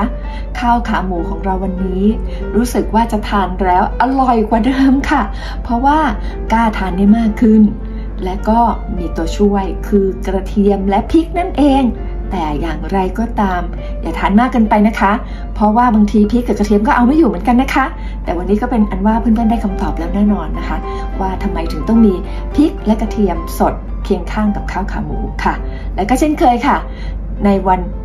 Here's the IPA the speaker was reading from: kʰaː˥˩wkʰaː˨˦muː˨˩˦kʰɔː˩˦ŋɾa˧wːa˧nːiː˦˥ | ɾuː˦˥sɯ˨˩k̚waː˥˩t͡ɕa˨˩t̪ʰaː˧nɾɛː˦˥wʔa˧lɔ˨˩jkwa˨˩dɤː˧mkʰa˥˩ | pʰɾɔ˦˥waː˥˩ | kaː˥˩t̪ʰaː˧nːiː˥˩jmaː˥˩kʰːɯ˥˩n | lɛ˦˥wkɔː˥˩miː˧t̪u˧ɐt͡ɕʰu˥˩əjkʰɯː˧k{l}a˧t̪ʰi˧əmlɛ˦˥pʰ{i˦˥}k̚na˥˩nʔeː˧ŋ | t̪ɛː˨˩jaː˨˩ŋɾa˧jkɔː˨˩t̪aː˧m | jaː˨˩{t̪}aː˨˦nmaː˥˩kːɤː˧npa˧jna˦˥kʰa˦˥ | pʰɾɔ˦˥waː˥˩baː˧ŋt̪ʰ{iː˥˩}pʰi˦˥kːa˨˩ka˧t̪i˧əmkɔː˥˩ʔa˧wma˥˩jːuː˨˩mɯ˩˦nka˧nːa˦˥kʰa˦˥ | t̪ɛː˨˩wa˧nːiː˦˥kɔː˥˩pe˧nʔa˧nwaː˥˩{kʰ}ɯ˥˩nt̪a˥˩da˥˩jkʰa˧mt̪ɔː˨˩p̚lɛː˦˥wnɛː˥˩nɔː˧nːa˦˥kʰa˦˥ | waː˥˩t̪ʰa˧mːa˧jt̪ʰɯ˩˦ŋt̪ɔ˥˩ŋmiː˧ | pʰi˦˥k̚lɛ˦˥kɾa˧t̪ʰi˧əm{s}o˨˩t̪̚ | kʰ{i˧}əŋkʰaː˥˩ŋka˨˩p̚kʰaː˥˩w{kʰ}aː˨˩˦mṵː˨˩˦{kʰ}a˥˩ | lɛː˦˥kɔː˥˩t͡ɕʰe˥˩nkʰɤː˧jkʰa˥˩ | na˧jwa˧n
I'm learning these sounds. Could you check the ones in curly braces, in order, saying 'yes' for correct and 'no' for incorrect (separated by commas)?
no, yes, no, no, no, yes, yes, yes, yes